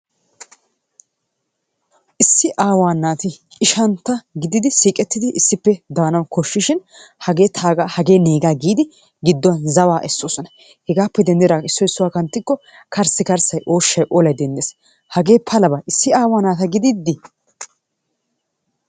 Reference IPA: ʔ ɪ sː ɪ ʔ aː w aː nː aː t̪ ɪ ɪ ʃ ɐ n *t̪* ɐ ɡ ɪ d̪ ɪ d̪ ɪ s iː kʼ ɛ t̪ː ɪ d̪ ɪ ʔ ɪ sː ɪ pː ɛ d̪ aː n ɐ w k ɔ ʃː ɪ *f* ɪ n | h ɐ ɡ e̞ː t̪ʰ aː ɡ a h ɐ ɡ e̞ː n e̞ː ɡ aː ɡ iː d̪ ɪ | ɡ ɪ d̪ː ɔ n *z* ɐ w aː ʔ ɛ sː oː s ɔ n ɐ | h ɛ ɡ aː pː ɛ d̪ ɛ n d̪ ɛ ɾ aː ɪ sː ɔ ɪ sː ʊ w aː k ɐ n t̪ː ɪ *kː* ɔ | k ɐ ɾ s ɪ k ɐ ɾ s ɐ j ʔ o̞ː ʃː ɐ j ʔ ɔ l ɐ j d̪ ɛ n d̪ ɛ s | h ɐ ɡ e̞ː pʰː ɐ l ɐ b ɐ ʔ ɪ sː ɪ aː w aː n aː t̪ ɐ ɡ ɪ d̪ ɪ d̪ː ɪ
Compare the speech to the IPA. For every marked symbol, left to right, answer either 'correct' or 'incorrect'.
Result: correct, incorrect: ʃ, correct, correct

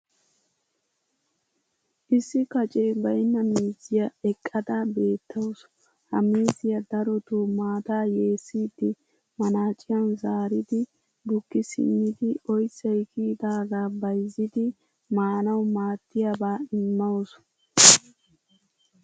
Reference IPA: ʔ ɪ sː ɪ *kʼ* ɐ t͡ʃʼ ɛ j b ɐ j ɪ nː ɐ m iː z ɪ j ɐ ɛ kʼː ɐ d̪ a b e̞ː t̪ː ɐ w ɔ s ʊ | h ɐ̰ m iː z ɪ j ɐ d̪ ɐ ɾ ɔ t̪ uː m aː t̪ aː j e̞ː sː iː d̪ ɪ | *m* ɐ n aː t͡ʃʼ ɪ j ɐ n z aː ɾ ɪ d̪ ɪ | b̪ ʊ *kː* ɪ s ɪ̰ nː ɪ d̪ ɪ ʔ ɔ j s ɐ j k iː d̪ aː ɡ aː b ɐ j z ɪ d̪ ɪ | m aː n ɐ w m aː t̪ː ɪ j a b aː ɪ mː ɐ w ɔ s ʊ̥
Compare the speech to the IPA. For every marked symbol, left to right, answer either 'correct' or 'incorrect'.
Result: incorrect: k, correct, correct

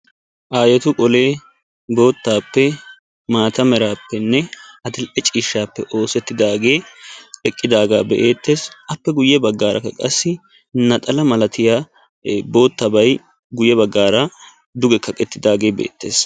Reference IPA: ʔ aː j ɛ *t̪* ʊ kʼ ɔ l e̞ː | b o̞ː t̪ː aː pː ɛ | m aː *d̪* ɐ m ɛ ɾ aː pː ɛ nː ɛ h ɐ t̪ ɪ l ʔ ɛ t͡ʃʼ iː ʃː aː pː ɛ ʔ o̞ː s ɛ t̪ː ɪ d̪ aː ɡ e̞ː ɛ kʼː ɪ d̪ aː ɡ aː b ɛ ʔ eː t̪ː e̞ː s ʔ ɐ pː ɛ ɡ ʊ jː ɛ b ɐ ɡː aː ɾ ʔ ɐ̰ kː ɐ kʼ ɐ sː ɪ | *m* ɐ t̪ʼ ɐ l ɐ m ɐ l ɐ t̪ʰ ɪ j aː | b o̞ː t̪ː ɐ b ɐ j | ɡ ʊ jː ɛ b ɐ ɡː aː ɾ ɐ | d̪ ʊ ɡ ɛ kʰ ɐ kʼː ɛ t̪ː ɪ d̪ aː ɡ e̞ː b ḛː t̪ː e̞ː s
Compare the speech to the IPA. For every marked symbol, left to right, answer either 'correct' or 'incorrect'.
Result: correct, incorrect: t̪, incorrect: n

